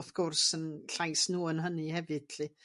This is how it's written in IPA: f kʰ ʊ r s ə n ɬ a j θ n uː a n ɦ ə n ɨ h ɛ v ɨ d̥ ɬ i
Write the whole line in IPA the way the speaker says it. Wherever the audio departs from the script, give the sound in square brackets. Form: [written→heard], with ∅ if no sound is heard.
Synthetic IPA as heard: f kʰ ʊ r s ə n ɬ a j [θ→s] n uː [a→ə] n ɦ ə n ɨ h ɛ v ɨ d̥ ɬ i